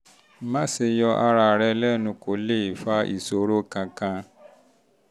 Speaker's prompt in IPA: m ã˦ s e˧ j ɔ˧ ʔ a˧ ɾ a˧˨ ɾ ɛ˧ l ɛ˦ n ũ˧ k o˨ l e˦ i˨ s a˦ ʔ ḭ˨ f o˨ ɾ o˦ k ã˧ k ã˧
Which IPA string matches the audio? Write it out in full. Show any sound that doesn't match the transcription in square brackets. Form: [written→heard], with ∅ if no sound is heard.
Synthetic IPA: m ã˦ s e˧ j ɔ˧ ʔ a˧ ɾ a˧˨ ɾ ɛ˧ l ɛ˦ n ũ˧ k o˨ l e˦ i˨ [s→f] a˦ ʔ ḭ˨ [f→s] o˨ ɾ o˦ k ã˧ k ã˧